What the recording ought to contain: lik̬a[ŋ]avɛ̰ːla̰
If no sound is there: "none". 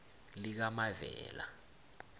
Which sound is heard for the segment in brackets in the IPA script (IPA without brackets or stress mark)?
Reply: m